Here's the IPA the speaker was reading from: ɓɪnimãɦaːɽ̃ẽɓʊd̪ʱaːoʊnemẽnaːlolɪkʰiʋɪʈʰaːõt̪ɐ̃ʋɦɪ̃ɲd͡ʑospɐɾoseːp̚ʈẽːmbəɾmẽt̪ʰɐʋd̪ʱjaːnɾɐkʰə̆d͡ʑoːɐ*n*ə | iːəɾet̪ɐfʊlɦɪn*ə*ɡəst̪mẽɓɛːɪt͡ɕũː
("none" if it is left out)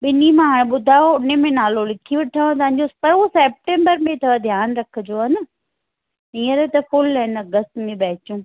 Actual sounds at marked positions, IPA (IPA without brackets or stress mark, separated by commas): n, ɐ